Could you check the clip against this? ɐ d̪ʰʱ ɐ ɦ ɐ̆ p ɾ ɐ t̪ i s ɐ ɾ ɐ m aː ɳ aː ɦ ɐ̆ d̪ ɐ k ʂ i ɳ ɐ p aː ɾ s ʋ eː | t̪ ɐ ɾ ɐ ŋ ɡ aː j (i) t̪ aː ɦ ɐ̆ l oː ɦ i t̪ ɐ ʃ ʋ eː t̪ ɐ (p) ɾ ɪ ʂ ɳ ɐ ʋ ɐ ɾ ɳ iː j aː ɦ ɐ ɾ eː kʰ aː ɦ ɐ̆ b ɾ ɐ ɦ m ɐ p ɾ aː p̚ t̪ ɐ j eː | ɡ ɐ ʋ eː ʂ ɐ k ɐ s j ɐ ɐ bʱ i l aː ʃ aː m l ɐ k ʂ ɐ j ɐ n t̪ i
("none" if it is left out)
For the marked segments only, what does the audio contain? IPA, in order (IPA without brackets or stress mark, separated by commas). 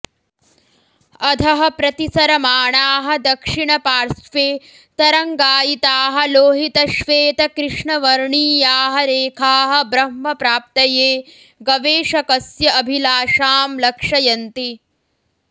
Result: i, k